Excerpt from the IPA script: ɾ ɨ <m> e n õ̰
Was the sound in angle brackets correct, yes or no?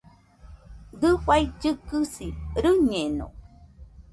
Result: no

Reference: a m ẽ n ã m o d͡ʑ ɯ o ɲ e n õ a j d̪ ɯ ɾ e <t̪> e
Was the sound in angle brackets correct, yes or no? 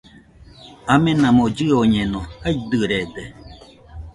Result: no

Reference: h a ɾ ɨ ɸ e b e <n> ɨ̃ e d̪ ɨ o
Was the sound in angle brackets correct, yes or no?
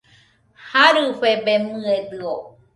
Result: no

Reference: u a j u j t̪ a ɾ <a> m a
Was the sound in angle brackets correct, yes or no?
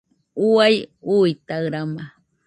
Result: yes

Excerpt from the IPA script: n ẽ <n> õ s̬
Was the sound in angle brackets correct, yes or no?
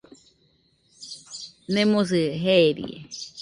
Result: no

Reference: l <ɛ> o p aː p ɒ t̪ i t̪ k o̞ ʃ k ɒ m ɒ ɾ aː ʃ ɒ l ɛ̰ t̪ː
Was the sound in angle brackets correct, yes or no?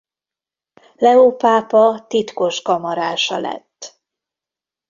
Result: yes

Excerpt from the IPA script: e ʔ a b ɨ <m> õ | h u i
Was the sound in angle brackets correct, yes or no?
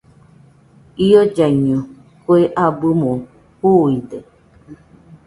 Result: yes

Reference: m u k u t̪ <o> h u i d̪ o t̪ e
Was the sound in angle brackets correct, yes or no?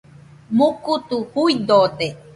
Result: no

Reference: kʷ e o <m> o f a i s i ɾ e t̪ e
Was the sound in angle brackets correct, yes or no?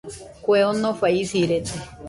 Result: no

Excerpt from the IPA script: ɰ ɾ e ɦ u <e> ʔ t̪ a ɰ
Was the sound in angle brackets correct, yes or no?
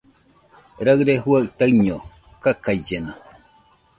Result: no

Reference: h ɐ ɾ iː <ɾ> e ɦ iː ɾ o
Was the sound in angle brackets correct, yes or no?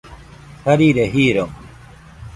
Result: yes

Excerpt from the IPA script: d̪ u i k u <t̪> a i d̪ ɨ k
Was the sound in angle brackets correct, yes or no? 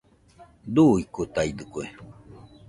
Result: yes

